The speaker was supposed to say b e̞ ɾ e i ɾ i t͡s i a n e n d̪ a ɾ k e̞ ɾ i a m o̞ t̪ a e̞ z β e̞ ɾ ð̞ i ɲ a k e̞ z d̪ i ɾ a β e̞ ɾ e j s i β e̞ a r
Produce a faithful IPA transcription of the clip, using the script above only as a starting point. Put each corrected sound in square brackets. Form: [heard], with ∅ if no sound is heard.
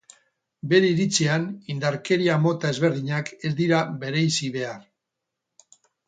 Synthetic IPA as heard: b e̞ ɾ e i ɾ i t͡s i a n [i] n d̪ a ɾ k e̞ ɾ i a m o̞ t̪ a e̞ z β e̞ ɾ ð̞ i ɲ a k e̞ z d̪ i ɾ a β e̞ ɾ e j s i β e̞ a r

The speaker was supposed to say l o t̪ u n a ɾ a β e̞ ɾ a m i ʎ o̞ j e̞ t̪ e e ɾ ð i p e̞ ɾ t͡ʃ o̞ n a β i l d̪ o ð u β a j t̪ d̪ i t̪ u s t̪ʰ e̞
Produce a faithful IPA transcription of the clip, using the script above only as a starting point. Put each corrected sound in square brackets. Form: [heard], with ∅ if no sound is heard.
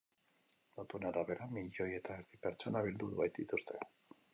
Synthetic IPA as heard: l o t̪ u n a ɾ a β e̞ ɾ a m i ʎ o̞ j e̞ t̪ [a] e ɾ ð i p e̞ ɾ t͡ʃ o̞ n a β i l d̪ [u] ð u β a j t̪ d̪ i t̪ u s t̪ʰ e̞

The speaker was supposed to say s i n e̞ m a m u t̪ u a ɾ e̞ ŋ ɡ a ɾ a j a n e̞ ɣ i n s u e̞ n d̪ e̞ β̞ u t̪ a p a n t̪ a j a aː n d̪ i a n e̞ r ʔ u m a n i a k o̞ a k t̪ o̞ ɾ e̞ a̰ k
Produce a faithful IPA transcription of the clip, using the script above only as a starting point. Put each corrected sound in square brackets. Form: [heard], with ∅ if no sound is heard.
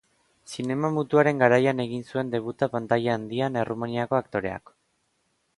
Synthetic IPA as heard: s i n e̞ m a m u t̪ u a ɾ e̞ ŋ ɡ a ɾ a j a n e̞ ɣ i n s u e̞ n d̪ e̞ β̞ u t̪ a p a n t̪ a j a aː n d̪ i a n e̞ r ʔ u m a n i a k o̞ a k t̪ o̞ ɾ e̞ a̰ k

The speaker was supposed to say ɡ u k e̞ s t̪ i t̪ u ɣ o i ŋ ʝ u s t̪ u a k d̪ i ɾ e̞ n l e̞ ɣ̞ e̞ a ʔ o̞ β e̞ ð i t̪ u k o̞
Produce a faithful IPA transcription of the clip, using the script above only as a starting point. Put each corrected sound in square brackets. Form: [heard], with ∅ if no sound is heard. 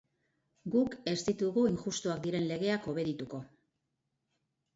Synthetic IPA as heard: ɡ u k e̞ s t̪ i t̪ u ɣ [u] i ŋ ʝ u s t̪ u a k d̪ i ɾ e̞ n l e̞ ɣ̞ e̞ a [k] o̞ β e̞ ð i t̪ u k o̞

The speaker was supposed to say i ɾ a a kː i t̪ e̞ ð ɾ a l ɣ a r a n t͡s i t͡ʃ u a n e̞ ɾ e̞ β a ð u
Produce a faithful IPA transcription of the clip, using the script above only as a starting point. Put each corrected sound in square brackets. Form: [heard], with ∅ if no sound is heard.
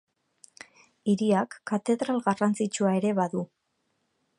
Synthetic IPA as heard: i ɾ [i] a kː [a] t̪ e̞ ð ɾ a l ɣ a r a n t͡s i t͡ʃ u a [∅] e̞ ɾ e̞ β a ð u

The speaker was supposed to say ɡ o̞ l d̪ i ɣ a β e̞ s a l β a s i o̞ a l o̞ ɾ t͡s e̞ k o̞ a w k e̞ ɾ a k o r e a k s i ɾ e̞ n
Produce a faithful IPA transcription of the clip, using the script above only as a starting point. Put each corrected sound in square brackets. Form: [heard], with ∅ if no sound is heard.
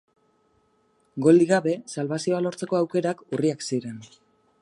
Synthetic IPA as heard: ɡ o̞ l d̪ i ɣ a β e̞ s a l β a s i o̞ a l o̞ ɾ t͡s e̞ k o̞ a w k e̞ ɾ a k [u] r [i] a k s i ɾ e̞ n

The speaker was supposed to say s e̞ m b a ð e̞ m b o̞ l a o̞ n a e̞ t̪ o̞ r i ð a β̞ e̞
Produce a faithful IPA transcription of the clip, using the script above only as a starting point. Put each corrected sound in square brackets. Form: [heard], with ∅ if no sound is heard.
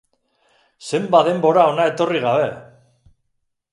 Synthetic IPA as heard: s e̞ m b a ð e̞ m b o̞ [ɾ] a o̞ n a e̞ t̪ o̞ r i [ɣ] a β̞ e̞

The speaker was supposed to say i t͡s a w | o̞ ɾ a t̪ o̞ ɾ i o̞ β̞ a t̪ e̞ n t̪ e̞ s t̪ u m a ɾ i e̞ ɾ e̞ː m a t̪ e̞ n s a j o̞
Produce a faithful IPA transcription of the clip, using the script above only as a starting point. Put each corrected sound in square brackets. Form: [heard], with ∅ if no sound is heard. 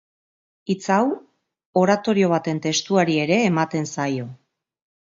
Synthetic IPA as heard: i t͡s a w | o̞ ɾ a t̪ o̞ ɾ i o̞ β̞ a t̪ e̞ n t̪ e̞ s t̪ u [∅] a ɾ i e̞ ɾ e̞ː m a t̪ e̞ n s a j o̞

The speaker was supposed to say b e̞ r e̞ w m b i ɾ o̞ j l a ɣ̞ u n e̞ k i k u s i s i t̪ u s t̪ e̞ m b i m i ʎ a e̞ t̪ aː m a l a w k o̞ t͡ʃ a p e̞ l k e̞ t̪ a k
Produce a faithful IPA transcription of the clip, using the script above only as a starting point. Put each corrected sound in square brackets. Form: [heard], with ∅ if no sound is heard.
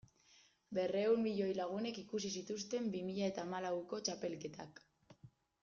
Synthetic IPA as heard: b e̞ r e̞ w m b i [ʎ] o̞ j l a ɣ̞ u n e̞ k i k u s i s i t̪ u s t̪ e̞ m b i m i ʎ a e̞ t̪ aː m a l a w k o̞ t͡ʃ a p e̞ l k e̞ t̪ a k

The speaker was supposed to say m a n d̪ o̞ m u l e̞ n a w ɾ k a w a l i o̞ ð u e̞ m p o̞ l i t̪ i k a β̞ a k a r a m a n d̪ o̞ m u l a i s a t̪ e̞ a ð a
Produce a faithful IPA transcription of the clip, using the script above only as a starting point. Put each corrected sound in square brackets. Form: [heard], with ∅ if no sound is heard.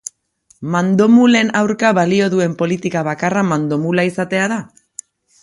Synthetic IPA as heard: m a n d̪ o̞ m u l e̞ n a w ɾ k a [β] a l i o̞ ð u e̞ m p o̞ l i t̪ i k a β̞ a k a r a m a n d̪ o̞ m u l a i s a t̪ e̞ a ð a

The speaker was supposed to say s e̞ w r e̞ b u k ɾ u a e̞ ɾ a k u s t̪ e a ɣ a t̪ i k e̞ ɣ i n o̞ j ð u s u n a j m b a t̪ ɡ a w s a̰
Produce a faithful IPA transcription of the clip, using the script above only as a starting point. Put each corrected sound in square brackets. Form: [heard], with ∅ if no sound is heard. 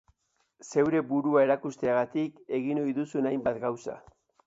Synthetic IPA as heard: s e̞ w [ɾ] e̞ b u [∅] ɾ u a e̞ ɾ a k u s t̪ e a ɣ a t̪ i k e̞ ɣ i n o̞ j ð u s u n a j m b a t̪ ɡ a w s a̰

